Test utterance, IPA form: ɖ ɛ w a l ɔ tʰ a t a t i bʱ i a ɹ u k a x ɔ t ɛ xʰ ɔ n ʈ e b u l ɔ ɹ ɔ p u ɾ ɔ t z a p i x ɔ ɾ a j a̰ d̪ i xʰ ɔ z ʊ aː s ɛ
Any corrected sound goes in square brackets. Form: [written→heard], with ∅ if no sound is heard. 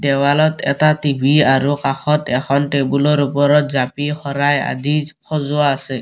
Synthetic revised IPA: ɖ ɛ w a l ɔ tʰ [a→ɛ] t a t i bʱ i a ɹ u k a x ɔ t ɛ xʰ ɔ n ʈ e b u l ɔ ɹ [ɔ→u] p [u→ɔ] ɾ ɔ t z a p i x ɔ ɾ a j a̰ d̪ i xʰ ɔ z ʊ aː s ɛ